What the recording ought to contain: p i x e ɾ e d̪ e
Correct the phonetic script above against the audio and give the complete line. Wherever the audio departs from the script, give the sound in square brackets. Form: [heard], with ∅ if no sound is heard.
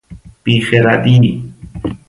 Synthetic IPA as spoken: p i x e ɾ [a] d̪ [i]